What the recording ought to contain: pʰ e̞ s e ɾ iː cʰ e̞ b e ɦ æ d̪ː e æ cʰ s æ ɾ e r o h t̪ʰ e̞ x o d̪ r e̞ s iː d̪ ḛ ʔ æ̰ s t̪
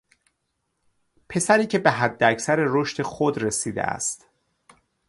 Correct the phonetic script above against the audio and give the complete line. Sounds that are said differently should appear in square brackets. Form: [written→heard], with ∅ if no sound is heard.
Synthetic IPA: pʰ e̞ s [e→æ] ɾ iː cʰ e̞ b e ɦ æ d̪ː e æ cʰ s æ ɾ e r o [h→ʃ] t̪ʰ e̞ x o d̪ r e̞ s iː d̪ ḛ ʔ æ̰ s t̪